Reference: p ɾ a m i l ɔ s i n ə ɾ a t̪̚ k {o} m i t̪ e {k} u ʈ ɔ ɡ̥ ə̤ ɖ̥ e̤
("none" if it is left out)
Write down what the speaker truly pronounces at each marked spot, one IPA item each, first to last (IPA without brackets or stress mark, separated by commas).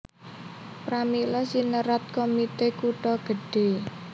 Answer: o, k